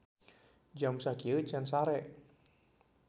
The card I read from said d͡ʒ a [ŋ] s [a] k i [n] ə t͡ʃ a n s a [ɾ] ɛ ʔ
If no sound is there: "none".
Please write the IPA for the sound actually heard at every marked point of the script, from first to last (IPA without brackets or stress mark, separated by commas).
m, a, none, ɾ